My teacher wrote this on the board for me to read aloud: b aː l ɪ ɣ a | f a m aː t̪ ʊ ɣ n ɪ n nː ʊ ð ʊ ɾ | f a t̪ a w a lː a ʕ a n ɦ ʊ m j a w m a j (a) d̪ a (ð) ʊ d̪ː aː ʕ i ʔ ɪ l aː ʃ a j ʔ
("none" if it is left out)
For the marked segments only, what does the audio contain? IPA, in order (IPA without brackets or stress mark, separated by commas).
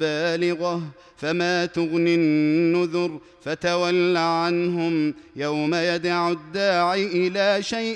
a, ʕ